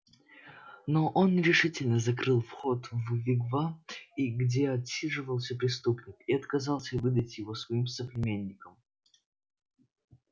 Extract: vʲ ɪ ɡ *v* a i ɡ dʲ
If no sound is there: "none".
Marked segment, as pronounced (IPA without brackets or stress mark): v